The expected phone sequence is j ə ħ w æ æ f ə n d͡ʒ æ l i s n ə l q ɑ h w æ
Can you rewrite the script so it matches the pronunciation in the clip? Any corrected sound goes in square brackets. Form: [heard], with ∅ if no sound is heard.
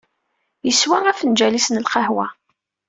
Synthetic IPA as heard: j ə [s] w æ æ f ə n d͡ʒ æ l i s n ə l q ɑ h w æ